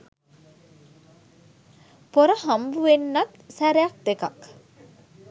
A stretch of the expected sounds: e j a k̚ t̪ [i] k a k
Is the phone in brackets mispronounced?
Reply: yes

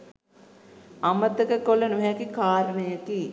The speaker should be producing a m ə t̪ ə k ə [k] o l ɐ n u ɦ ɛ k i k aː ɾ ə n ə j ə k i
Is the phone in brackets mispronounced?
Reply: no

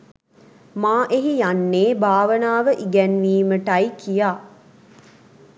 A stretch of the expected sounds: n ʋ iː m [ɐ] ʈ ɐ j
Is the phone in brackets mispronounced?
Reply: yes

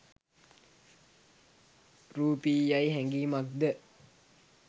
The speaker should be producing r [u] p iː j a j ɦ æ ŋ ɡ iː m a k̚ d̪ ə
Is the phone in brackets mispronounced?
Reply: yes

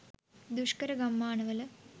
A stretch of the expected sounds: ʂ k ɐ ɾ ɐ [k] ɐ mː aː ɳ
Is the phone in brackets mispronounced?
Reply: yes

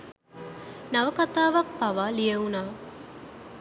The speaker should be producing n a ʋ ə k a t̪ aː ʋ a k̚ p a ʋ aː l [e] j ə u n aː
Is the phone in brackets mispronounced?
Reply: yes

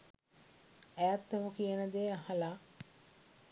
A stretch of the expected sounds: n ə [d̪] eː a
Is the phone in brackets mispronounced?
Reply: no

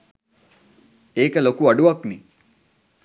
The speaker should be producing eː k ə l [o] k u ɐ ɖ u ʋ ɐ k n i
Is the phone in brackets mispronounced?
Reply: no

